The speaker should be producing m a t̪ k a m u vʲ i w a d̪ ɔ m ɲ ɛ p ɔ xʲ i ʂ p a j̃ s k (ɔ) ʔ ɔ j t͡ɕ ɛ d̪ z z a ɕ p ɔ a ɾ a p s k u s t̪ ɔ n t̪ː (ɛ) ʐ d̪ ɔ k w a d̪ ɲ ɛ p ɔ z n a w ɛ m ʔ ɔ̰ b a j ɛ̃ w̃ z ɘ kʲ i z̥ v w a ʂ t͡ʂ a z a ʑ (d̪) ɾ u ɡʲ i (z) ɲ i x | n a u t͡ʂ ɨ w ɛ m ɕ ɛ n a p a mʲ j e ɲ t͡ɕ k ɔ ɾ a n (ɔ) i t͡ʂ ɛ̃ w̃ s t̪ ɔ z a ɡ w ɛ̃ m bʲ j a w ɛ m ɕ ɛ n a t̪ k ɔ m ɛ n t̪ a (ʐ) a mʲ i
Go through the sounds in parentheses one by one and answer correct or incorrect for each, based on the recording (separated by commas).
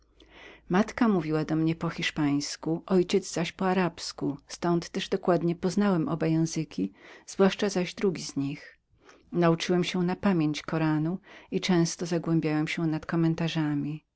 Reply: incorrect, correct, correct, correct, incorrect, correct